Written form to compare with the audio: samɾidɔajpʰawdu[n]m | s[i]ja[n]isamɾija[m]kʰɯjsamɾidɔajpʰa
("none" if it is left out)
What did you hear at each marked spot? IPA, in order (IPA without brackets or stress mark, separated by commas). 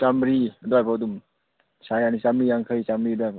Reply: none, a, n, ŋ